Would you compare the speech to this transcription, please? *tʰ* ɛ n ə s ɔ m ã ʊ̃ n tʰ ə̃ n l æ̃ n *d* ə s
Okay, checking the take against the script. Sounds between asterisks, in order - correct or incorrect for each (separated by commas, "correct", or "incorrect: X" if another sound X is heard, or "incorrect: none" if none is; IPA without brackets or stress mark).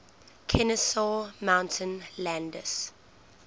incorrect: kʰ, correct